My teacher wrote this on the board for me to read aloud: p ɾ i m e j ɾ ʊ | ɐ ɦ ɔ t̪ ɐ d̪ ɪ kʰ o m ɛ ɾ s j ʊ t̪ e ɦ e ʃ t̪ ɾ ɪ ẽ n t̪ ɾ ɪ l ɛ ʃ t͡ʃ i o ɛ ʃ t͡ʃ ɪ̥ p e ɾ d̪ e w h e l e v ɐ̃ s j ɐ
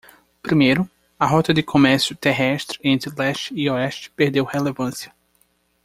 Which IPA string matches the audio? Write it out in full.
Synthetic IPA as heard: p ɾ i m e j ɾ ʊ | ɐ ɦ ɔ t̪ ɐ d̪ ɪ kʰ o m ɛ ɾ s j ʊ t̪ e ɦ ɛ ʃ t̪ ɾ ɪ ẽ n t̪ ɾ ɪ l ɛ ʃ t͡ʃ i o ɛ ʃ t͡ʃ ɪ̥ p e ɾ d̪ e w h e l e v ɐ̃ s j ɐ